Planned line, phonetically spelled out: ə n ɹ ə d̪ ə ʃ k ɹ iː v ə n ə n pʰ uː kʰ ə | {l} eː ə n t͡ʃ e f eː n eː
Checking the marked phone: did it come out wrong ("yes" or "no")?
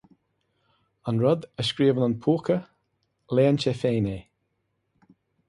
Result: no